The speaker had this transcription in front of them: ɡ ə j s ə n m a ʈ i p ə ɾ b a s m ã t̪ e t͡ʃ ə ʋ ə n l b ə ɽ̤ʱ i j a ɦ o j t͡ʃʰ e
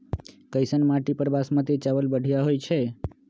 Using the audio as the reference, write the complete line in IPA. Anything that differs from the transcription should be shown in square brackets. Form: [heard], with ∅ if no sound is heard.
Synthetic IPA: [k] ə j s ə n m a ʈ i p ə ɾ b a s m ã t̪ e t͡ʃ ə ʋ ə [∅] l b ə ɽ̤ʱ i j a ɦ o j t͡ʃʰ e